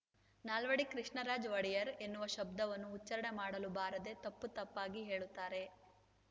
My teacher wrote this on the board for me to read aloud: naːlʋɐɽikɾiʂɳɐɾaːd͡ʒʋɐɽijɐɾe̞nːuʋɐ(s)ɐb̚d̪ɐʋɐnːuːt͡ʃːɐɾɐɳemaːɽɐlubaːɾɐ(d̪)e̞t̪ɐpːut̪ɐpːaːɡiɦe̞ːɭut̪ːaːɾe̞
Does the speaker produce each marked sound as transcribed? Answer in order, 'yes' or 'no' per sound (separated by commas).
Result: no, yes